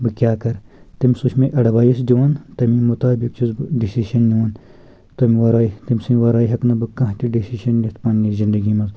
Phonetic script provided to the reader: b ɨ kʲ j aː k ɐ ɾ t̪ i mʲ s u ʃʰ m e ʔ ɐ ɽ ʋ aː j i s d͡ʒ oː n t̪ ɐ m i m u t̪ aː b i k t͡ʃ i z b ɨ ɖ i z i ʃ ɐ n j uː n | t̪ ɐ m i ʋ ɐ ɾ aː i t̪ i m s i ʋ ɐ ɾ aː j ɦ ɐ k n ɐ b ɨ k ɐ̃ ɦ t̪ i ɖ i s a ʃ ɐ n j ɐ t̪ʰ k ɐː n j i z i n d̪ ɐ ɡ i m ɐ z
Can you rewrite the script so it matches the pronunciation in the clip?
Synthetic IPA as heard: b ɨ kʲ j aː k ɐ ɾ t̪ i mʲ s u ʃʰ m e ʔ ɐ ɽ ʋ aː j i s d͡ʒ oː n t̪ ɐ m i m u t̪ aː b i k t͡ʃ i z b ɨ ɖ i s i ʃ ɐ n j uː n | t̪ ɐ m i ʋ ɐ ɾ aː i t̪ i m s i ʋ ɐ ɾ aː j ɦ ɐ k n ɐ b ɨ k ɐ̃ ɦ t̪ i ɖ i s i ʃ ɐ n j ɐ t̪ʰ p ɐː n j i z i n d̪ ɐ ɡ i m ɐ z